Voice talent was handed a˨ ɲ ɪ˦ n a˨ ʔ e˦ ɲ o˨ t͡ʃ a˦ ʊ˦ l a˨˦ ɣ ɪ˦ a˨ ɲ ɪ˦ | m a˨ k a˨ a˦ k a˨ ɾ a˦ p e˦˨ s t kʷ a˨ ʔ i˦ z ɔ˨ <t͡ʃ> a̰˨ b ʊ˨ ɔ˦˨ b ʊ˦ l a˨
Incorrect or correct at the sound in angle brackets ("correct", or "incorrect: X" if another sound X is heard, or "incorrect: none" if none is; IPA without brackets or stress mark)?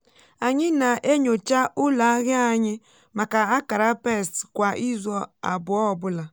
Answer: incorrect: none